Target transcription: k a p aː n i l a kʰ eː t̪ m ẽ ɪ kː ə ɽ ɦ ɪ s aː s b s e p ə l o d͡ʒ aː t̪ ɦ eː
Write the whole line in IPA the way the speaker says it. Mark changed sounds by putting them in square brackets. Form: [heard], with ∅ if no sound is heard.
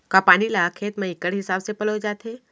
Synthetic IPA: k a p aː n i l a kʰ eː t̪ m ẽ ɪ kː ə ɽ ɦ ɪ s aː [∅] b s e p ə l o d͡ʒ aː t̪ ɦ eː